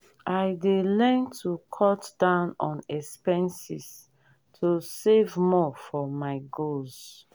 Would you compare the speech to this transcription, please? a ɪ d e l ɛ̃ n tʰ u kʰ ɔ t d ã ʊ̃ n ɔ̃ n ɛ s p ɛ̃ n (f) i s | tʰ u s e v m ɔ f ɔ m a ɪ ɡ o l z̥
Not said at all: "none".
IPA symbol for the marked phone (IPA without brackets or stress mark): s